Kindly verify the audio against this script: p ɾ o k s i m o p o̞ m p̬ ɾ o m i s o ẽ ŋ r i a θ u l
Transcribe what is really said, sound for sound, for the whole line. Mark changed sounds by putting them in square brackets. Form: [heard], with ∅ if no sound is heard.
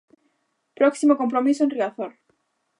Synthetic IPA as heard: p ɾ o k s i m o [k] o̞ m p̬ ɾ o m i s o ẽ [n] r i a θ [o] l